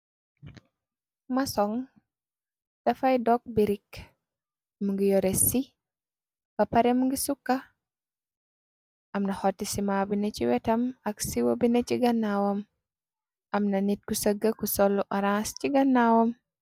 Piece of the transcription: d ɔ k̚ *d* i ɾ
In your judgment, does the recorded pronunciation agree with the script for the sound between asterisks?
no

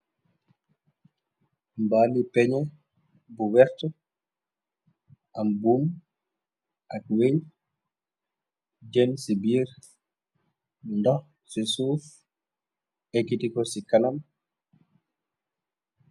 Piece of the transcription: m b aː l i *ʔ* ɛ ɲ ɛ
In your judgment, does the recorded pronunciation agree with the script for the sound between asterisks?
no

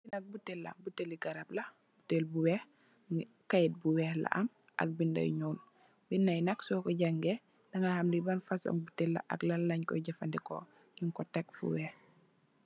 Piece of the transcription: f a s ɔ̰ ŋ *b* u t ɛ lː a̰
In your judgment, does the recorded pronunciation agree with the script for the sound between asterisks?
yes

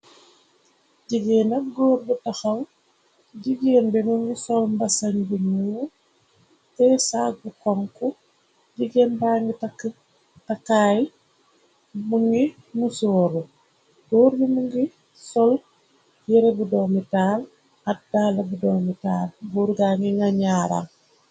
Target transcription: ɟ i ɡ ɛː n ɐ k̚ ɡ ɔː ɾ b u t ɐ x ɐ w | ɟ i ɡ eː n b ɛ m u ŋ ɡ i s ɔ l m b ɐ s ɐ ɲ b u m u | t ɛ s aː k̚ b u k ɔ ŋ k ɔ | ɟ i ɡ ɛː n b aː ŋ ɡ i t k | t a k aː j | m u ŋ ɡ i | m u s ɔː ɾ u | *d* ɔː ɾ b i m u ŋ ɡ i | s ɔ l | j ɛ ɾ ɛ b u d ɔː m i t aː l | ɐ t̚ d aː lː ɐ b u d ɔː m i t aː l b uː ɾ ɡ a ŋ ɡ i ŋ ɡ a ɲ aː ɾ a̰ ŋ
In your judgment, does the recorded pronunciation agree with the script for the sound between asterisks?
no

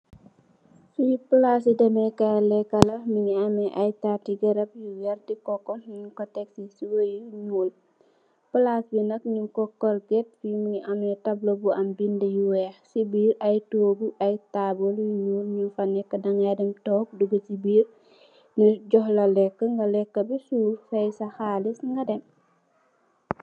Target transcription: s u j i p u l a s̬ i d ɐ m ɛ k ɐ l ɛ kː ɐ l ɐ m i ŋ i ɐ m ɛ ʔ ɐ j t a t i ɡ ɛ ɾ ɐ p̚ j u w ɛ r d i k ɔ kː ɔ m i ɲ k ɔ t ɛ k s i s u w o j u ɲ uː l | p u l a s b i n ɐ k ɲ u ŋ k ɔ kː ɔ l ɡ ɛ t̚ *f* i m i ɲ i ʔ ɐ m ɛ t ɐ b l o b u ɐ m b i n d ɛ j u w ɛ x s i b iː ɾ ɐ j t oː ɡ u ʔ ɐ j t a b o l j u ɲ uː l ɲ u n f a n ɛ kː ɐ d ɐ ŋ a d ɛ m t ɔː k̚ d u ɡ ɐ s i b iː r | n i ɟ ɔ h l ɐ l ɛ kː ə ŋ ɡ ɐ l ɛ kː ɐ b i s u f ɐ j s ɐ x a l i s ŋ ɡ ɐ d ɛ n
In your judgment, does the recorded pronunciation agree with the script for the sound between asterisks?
yes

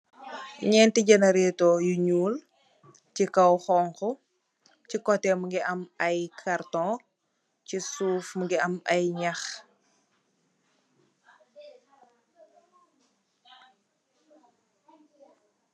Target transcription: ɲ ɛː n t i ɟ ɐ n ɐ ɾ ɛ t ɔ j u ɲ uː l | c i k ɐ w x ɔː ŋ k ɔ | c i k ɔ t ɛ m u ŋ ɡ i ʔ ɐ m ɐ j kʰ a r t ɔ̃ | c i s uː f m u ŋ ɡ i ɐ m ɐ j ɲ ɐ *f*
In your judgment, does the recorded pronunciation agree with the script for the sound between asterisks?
no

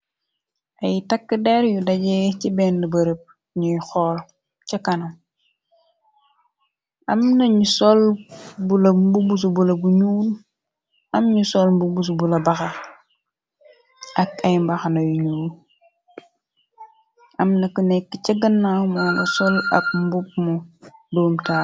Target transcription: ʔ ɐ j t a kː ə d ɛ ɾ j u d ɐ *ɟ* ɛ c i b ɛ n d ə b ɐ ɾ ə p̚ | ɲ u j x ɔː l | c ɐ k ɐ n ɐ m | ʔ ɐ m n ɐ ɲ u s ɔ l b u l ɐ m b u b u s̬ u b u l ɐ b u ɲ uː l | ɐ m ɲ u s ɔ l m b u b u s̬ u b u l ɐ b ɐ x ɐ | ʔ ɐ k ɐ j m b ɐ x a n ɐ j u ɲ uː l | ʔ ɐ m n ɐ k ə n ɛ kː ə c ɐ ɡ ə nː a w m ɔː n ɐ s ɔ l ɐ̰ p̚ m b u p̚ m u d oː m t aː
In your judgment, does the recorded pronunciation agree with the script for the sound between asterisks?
yes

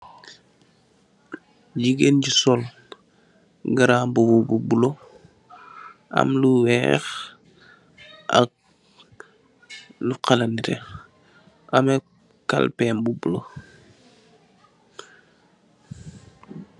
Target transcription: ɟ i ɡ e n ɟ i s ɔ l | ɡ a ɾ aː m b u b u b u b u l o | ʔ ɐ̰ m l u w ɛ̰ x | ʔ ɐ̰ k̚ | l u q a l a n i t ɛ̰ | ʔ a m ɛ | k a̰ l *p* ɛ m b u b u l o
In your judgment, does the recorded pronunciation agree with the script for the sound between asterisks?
yes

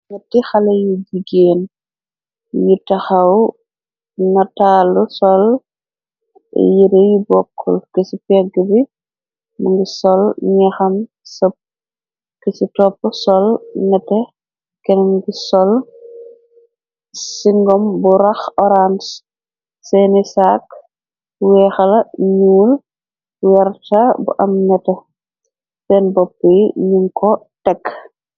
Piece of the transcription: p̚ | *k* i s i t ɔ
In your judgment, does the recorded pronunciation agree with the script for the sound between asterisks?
yes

